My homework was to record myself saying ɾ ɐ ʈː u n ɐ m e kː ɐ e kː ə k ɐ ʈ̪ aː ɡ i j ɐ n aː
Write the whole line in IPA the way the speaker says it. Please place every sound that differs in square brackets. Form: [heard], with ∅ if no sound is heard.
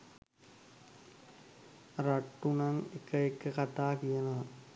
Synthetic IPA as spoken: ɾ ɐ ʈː u n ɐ [ŋ] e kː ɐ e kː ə k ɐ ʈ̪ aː [k] i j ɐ n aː